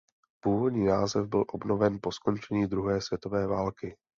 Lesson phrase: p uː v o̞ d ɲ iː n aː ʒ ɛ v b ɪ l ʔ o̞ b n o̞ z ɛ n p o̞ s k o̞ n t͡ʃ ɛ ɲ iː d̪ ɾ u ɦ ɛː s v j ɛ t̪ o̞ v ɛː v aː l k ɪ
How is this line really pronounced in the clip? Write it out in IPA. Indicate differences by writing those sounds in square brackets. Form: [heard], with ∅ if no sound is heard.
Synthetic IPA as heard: p uː v o̞ d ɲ iː n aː [z] ɛ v b ɪ l ʔ o̞ b n o̞ [v] ɛ n p o̞ s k o̞ n t͡ʃ ɛ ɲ iː d̪ ɾ u ɦ ɛː s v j ɛ t̪ o̞ v ɛː v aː l k ɪ